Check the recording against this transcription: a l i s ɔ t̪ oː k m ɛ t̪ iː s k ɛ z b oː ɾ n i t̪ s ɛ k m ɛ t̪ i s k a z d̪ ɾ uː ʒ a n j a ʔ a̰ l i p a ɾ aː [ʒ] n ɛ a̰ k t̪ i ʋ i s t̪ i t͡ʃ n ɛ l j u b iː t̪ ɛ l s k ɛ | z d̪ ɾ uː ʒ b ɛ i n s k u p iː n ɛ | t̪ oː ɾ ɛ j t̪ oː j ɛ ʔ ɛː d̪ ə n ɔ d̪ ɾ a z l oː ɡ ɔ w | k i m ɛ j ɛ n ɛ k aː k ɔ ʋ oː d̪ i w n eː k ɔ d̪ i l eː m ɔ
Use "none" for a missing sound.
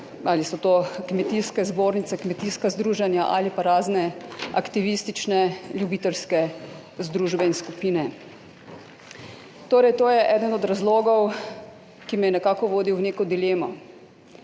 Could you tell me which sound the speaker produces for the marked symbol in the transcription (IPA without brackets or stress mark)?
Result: z